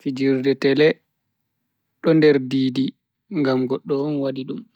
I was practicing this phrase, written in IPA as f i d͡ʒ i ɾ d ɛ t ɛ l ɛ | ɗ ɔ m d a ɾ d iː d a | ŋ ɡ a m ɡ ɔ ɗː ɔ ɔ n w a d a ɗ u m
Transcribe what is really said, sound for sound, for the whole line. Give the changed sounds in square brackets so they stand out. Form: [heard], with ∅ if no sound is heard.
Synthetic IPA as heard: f i d͡ʒ i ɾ d ɛ t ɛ l ɛ | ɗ ɔ [n] d [ɛ] ɾ d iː d [i] | ŋ ɡ a m ɡ ɔ ɗː ɔ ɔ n w a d [i] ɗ u m

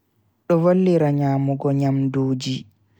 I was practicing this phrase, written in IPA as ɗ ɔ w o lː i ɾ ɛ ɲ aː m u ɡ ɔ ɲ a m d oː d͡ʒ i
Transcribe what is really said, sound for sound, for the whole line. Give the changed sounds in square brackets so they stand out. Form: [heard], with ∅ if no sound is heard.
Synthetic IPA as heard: ɗ ɔ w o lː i ɾ [a] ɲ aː m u ɡ ɔ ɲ a m d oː d͡ʒ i

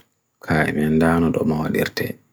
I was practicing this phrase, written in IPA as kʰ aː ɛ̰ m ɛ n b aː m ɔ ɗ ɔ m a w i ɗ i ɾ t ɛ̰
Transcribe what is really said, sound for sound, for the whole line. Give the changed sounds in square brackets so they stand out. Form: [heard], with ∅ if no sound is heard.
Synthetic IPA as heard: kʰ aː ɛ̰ m ɛ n [d] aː [n] ɔ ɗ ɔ m a w [a] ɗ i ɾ t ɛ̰

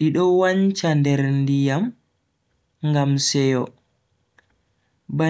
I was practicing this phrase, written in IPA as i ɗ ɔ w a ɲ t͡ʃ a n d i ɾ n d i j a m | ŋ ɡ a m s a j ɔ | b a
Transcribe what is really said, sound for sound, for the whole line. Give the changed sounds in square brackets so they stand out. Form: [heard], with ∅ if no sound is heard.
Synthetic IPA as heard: i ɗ ɔ w a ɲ t͡ʃ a n d [ɛ] ɾ n d i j a m | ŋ ɡ a m s [ɛ] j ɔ | b a

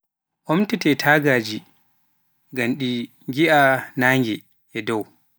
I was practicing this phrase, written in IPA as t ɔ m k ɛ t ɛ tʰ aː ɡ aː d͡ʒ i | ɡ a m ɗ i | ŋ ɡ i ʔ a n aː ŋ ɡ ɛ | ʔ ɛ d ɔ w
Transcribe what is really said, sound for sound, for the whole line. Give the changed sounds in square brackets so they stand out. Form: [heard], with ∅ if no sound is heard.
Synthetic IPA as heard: [ʔ] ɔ m [t] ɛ t ɛ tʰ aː ɡ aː d͡ʒ i | ɡ a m ɗ i | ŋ ɡ i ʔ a n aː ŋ ɡ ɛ | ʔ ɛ d ɔ w

